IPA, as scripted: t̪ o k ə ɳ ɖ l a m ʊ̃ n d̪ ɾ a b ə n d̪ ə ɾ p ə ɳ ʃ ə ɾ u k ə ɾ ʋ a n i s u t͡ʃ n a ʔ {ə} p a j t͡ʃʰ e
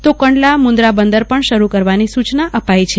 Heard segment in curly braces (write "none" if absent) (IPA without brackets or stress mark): ə